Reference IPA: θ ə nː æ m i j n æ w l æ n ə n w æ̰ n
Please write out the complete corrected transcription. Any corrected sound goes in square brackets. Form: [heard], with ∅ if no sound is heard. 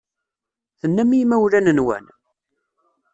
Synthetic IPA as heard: θ ə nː æ m i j [m] æ w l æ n ə n w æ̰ n